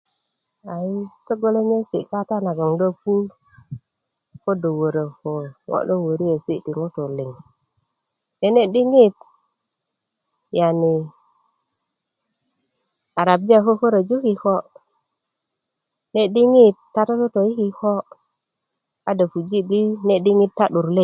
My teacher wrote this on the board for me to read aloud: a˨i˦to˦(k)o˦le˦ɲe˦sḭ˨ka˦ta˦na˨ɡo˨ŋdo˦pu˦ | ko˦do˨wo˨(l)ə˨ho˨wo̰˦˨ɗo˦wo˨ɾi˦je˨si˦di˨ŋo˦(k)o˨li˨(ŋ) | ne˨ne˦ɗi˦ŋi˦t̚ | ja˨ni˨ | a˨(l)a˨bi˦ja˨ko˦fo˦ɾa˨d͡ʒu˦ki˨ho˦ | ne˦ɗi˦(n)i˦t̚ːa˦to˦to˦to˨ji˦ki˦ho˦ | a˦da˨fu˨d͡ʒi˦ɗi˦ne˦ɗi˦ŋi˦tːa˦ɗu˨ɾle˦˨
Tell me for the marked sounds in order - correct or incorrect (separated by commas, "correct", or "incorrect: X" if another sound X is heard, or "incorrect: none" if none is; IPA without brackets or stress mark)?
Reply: incorrect: ɡ, incorrect: ɾ, incorrect: t, correct, incorrect: ɾ, incorrect: ŋ